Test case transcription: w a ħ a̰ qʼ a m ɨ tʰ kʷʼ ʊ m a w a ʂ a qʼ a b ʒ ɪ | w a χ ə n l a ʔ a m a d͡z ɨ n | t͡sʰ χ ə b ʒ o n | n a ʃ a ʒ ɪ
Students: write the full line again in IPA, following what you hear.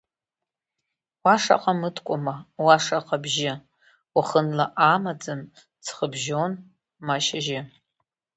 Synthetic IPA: w a ʂ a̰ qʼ a m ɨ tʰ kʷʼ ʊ m a w a ʂ a qʼ a b ʒ ɪ | w a χ ə n l a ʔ a m a d͡z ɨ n | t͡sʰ χ ə b ʒ o n | m a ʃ a ʒ ɪ